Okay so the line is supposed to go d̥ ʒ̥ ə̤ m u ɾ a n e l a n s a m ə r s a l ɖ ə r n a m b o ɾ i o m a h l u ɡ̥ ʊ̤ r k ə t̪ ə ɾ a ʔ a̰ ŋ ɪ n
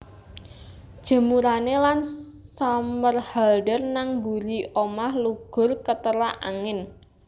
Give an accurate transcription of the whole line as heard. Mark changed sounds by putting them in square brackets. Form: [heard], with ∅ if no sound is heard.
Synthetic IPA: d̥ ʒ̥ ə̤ m u ɾ a n e l a n s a m ə r [h] a l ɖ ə r n a [ŋ] b [u] ɾ i o m a h l u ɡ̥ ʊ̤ r k ə t̪ ə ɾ a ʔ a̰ ŋ ɪ n